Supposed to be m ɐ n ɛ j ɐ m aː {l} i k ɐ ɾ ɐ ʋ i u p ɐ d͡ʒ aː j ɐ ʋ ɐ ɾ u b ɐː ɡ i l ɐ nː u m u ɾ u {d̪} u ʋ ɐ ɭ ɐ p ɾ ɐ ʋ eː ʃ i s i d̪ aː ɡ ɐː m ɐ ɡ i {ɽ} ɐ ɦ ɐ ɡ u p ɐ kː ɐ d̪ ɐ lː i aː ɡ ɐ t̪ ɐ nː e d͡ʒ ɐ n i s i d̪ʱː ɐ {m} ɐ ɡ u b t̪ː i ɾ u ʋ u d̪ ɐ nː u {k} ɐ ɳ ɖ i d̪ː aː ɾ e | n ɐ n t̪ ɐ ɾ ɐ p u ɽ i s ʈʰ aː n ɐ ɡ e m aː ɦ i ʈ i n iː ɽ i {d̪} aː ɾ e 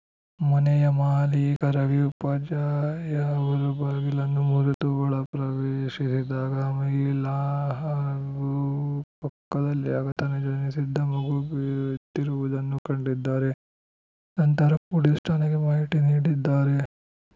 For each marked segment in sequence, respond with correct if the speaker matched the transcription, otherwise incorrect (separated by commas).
correct, incorrect, incorrect, correct, correct, incorrect